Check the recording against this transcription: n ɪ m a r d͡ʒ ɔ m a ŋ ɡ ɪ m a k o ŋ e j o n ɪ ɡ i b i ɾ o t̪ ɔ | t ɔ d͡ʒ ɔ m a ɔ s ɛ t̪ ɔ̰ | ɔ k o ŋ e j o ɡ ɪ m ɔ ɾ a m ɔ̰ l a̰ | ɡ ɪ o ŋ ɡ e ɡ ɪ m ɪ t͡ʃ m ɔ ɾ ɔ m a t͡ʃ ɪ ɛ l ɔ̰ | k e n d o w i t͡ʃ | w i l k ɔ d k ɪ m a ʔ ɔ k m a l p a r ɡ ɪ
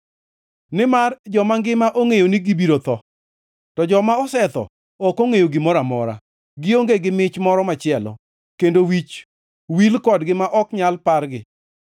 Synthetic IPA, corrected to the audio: n ɪ m a r d͡ʒ ɔ m a ŋ ɡ ɪ m a ʔ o ŋ e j o n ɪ ɡ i b i ɾ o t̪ ɔ | t ɔ d͡ʒ ɔ m a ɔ s ɛ t̪ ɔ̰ | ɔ k o ŋ e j o ɡ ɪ m ɔ ɾ a m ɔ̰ ɾ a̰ | ɡ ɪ o ŋ ɡ e ɡ ɪ m ɪ t͡ʃ m ɔ ɾ ɔ m a t͡ʃ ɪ ɛ l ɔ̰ | k e n d o w i t͡ʃ | w i l k ɔ d ɡ ɪ m a ʔ ɔ k ɲ a l p a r ɡ ɪ